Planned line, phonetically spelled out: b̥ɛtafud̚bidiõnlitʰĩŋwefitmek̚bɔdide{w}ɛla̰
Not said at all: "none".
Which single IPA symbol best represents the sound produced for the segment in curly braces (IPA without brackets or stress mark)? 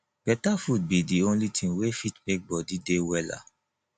w